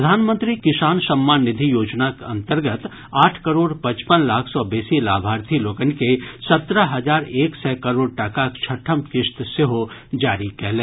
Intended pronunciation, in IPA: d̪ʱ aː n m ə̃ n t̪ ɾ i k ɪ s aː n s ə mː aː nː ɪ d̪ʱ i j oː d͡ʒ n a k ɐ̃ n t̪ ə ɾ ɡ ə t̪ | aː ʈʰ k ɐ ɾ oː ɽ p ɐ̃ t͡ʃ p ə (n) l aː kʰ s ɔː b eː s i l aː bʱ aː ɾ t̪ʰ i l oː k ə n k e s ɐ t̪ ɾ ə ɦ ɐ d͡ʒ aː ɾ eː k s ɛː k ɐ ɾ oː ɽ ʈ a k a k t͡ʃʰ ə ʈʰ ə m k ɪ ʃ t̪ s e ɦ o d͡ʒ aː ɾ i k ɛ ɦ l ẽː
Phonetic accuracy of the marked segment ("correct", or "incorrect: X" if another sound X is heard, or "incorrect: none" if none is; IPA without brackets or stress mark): correct